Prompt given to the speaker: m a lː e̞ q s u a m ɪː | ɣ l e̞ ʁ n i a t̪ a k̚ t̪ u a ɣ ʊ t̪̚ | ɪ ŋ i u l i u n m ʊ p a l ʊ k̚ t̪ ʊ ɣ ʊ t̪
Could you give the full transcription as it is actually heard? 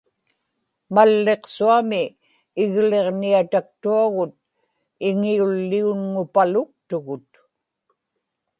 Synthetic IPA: m a lː e̞ q s u a m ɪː | ɣ l e̞ ʁ n i a t̪ a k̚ t̪ u a ɣ ʊ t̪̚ | ɪ ŋ i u lː i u n ŋ ʊ p a l ʊ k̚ t̪ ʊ ɣ ʊ t̪

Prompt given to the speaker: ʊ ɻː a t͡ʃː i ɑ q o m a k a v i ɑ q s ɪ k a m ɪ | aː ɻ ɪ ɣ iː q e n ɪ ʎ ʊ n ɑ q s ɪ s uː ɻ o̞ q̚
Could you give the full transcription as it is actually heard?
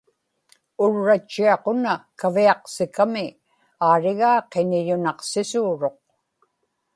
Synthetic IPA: ʊ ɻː a t͡ʃː i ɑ q o n a k a v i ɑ q s ɪ k a m ɪ | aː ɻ ɪ ɣ aː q e n ɪ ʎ ʊ n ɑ q s ɪ s uː ɻ o̞ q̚

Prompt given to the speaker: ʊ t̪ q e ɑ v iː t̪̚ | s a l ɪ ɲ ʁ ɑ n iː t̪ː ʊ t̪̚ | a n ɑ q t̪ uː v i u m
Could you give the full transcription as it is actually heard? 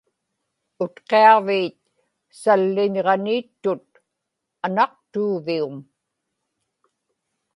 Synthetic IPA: ʊ t̪ q e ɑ v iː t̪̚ | s a lː ɪ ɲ ʁ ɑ n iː t̪ː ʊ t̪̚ | a n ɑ q t̪ uː v i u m

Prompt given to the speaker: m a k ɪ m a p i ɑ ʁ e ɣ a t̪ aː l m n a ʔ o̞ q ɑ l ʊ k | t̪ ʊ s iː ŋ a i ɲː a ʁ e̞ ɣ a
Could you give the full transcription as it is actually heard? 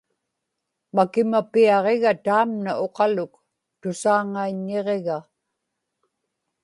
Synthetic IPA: m a k ɪ m a p i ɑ ʁ e ɣ a t̪ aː m n a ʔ o̞ q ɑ l ʊ k | t̪ ʊ s aː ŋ a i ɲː e ʁ e̞ ɣ a

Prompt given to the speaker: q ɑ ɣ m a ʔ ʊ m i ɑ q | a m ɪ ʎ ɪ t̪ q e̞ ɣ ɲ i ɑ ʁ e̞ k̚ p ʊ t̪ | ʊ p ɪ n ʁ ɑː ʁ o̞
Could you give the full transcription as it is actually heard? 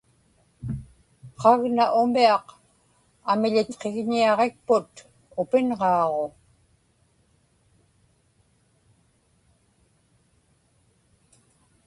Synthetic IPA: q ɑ ɣ n a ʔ ʊ m i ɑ q | a m ɪ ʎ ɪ t̪ q e̞ ɣ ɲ i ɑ ʁ e̞ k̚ p ʊ t̪ | ʊ p ɪ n ʁ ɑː ʁ o̞

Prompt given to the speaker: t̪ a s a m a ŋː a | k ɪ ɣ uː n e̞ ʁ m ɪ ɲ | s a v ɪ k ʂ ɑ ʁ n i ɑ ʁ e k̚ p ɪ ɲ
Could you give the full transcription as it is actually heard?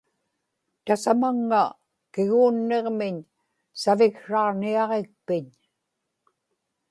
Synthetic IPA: t̪ a s a m a ŋː a | k ɪ ɣ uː nː e̞ ʁ m ɪ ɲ | s a v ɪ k ʂ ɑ ʁ n i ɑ ʁ e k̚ p ɪ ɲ

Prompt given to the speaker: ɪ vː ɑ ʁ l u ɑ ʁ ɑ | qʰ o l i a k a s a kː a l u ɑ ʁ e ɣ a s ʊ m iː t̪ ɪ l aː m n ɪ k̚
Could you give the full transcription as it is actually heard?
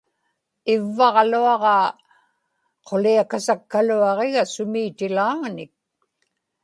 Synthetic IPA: ɪ vː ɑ ʁ l u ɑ ʁ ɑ | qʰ o l i a k a s a kː a l u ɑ ʁ e ɣ a s ʊ m iː t̪ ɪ l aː ŋ n ɪ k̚

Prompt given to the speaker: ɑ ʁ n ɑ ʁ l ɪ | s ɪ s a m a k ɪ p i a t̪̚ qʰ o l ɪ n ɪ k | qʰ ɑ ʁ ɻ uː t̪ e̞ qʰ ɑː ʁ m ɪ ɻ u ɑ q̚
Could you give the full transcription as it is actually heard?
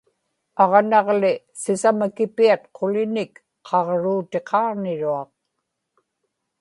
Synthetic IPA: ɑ ʁ n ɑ ʁ l ɪ | s ɪ s a m a k ɪ p i a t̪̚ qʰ o l ɪ n ɪ k | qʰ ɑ ʁ ɻ uː t̪ e̞ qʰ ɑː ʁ n ɪ ɻ u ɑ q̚

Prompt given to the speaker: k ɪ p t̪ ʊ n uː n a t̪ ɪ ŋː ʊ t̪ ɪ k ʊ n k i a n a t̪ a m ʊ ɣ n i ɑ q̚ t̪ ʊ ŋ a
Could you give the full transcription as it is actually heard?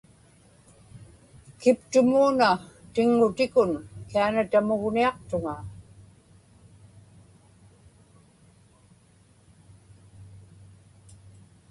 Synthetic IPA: k ɪ p t̪ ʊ m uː n a t̪ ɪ ŋː ʊ t̪ ɪ k ʊ n k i a n a t̪ a m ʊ ɣ n i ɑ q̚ t̪ ʊ ŋ a

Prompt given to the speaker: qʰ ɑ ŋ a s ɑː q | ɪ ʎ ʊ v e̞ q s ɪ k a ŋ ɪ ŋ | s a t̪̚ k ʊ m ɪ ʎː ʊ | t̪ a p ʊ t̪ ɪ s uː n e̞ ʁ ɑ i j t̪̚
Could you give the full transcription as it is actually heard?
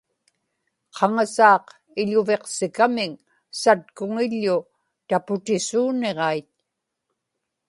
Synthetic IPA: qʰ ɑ ŋ a s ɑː q | ɪ ʎ ʊ v e̞ q s ɪ k a m ɪ ŋ | s a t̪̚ k ʊ ŋ ɪ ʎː ʊ | t̪ a p ʊ t̪ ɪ s uː n e̞ ʁ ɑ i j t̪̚

